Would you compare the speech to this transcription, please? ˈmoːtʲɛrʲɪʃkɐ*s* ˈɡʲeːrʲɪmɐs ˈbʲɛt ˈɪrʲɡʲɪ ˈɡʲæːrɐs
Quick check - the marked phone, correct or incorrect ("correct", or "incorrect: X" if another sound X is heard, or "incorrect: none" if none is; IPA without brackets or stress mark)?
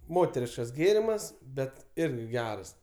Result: correct